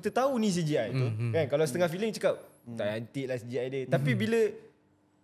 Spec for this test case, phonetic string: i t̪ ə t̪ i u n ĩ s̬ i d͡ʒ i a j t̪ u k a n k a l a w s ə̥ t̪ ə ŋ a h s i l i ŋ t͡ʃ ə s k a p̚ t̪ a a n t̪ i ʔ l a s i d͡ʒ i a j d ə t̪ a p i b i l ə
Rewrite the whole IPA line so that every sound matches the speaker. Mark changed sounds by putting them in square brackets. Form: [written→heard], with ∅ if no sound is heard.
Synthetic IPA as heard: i t̪ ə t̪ [i→a] u n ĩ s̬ i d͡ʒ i a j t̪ u k a n k a l a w s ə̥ t̪ ə ŋ a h [s→f] i l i ŋ t͡ʃ ə [s→∅] k a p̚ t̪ a a n t̪ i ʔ l a s i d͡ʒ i a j d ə t̪ a p i b i l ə